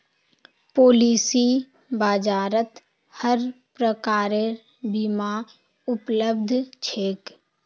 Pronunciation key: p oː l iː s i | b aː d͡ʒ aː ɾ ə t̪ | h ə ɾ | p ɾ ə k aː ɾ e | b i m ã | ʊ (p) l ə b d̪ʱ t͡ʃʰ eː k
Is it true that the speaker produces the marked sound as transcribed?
yes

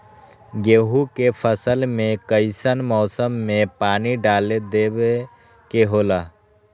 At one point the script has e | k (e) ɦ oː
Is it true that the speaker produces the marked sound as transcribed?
yes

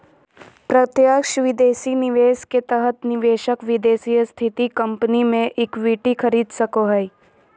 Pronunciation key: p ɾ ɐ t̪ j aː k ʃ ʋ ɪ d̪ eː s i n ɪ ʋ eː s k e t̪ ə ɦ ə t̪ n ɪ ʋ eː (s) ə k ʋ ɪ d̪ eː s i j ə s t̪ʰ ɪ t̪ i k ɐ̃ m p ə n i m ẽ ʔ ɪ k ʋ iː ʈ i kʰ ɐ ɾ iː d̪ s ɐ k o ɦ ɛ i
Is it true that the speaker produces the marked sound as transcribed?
no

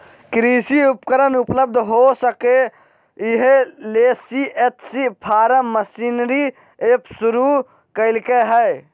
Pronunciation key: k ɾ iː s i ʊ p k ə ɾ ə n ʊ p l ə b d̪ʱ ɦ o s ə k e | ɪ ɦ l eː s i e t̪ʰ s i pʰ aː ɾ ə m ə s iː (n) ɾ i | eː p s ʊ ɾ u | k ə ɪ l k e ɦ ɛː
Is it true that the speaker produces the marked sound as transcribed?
yes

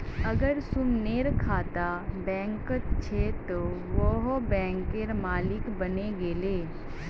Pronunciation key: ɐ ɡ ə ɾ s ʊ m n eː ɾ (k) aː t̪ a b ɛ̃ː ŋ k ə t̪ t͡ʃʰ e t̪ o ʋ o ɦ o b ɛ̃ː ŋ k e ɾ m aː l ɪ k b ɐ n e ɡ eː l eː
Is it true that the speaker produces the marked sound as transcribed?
no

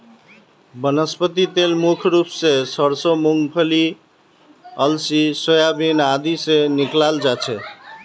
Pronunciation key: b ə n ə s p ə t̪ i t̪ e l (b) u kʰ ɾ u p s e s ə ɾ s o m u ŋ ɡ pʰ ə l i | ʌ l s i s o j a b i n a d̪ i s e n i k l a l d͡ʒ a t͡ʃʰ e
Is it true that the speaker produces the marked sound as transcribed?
no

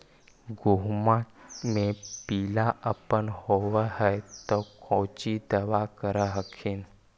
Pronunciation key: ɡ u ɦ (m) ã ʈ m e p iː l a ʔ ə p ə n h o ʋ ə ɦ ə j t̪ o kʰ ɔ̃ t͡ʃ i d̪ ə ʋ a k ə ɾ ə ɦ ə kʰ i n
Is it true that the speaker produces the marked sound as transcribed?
yes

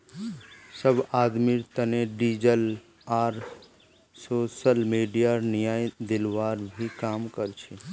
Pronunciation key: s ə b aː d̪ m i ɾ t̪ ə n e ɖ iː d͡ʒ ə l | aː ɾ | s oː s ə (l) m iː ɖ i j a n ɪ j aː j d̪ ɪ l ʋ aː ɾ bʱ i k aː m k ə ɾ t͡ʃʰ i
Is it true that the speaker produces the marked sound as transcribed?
yes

